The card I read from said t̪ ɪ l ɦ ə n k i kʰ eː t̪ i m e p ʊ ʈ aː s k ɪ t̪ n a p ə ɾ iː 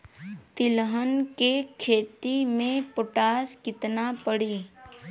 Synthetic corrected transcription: t̪ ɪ l ɦ ə n k e kʰ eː t̪ i m ẽ p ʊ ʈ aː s k ɪ t̪ n a p ə ɽ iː